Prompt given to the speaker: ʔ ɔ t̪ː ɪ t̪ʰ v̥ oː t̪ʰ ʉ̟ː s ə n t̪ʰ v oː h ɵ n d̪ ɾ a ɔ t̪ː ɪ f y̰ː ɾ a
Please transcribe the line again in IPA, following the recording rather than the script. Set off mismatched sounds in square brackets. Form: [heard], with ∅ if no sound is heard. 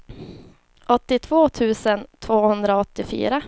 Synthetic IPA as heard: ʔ ɔ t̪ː ɪ t̪ʰ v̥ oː t̪ʰ ʉ̟ː s ə n t̪ʰ v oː h ɵ n d̪ ɾ a ɔ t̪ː ɪ f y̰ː ɾ a